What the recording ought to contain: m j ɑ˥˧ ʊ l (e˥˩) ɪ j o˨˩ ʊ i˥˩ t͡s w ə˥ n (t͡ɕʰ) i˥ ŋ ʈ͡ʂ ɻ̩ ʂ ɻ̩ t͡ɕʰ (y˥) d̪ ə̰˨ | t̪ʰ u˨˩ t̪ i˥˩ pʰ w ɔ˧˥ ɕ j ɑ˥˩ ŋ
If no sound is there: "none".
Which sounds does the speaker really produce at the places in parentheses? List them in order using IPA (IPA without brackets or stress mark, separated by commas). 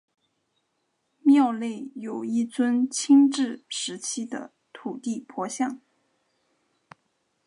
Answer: e˥˩, t͡ɕʰ, i˥